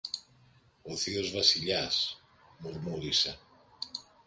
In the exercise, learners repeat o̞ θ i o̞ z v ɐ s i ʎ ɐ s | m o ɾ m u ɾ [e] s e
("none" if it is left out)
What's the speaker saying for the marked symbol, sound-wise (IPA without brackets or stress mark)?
i